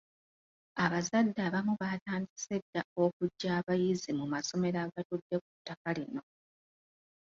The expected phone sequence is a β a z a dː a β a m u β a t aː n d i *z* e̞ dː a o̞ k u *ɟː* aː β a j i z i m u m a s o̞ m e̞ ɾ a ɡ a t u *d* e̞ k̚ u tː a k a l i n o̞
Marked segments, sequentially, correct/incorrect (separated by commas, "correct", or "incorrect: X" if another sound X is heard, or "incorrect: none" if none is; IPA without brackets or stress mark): incorrect: s, correct, incorrect: dː